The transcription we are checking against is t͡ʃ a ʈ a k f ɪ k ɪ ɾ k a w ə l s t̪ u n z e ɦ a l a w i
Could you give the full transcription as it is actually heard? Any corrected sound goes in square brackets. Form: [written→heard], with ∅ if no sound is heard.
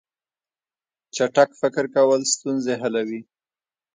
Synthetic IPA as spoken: t͡ʃ a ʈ a k f ɪ k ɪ ɾ k a w ə l s t̪ u n z e ɦ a l a w i